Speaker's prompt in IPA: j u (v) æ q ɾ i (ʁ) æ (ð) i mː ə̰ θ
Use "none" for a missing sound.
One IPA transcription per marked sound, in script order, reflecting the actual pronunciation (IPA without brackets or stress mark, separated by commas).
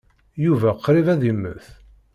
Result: v, v, ð